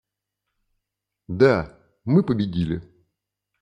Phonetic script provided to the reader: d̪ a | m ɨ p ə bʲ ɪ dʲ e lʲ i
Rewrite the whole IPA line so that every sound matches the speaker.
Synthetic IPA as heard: d̪ a | m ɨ p ə bʲ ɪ dʲ i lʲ ɪ